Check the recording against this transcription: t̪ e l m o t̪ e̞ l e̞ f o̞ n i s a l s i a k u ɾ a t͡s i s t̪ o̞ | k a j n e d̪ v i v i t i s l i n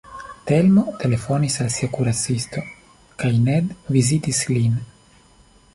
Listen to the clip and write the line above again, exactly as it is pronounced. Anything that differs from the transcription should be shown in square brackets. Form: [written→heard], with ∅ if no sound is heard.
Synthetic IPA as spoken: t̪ e l m o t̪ e̞ l e̞ f o̞ n i s a l s i a k u ɾ a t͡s i s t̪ o̞ | k a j n e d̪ v i [v→z] i t i s l i n